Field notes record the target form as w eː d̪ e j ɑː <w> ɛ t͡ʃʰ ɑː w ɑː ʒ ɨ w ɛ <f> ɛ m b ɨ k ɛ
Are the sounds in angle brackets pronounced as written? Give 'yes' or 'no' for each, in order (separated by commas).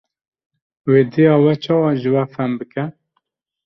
yes, yes